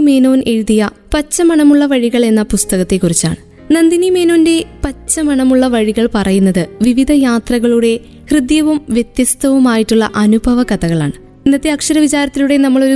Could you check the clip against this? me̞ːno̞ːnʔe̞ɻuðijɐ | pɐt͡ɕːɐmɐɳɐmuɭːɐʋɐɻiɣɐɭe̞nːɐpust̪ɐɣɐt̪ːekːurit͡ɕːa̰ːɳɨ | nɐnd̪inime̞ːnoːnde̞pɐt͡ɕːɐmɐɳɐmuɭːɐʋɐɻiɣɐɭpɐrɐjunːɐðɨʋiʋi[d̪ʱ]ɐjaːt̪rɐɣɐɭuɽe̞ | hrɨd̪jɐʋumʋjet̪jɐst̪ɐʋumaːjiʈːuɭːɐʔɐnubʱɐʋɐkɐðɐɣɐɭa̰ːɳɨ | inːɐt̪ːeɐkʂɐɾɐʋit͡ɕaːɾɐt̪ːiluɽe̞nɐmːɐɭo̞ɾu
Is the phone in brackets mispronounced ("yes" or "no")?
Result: no